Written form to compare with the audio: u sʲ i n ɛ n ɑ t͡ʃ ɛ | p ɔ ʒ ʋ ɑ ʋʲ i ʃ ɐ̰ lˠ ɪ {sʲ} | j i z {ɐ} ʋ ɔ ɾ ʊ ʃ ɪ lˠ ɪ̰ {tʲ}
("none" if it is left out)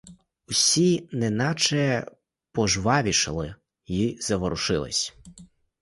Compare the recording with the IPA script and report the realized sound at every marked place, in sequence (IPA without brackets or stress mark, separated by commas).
none, ɐ, sʲ